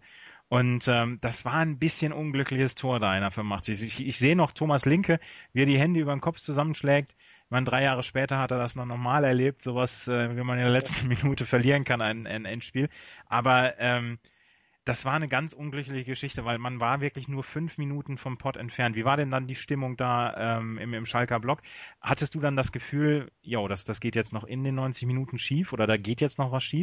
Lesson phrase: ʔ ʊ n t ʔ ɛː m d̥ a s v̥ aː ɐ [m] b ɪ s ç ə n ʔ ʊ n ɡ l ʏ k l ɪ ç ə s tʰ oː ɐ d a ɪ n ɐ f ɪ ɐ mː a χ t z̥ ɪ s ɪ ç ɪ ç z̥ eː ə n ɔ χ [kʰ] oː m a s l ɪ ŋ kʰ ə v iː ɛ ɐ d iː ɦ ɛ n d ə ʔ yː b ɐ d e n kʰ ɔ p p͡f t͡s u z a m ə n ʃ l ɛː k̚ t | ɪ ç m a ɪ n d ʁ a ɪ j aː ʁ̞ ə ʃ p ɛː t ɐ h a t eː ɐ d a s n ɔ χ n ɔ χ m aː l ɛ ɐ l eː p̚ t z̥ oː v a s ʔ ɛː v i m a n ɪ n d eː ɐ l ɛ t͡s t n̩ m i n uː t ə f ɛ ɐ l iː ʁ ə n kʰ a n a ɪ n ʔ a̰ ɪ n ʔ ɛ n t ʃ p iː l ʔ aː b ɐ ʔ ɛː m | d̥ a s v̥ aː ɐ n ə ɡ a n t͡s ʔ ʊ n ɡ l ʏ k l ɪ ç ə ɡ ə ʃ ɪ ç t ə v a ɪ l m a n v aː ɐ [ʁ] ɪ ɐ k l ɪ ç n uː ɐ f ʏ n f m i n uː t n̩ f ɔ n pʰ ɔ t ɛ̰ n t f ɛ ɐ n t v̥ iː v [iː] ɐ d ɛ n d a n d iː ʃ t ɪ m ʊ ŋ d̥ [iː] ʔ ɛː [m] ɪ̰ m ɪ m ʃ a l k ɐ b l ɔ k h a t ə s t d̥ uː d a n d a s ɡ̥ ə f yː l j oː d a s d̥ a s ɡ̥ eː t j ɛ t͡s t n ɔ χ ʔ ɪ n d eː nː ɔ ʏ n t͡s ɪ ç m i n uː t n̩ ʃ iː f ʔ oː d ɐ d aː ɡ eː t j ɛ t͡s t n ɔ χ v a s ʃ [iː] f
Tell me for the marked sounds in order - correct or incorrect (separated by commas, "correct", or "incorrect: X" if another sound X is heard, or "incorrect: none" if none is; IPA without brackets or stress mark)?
incorrect: n, incorrect: tʰ, incorrect: v, incorrect: aː, incorrect: aː, correct, correct